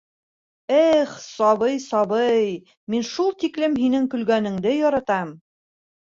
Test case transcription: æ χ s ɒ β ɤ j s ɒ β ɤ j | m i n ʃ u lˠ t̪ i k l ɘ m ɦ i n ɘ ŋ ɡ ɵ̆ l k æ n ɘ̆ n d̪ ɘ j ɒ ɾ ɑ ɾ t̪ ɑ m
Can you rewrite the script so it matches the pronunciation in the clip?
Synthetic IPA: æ χ s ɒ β ɤ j s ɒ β ɤ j | m i n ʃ u lˠ t̪ i k l ɘ m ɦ i n ɘ ŋ k ɵ̆ l ɡ æ n ɘ̆ ŋ d̪ ɘ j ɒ ɾ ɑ t̪ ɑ m